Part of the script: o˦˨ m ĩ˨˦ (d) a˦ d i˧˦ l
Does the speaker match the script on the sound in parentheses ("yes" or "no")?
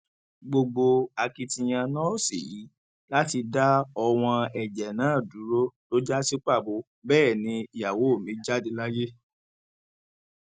no